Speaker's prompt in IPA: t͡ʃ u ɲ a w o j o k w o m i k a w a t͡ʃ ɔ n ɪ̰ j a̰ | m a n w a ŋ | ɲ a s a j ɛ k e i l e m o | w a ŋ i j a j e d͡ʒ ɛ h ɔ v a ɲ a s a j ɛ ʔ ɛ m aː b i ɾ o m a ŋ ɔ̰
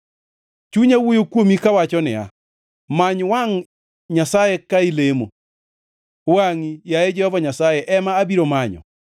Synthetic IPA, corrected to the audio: t͡ʃ u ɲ a w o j o k w o m i k a w a t͡ʃ ɔ n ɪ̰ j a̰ | m a ɲ w a ŋ | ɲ a s a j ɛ k a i l e m o | w a ŋ i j a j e d͡ʒ ɛ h ɔ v a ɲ a s a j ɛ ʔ ɛ m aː b i ɾ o m a ɲ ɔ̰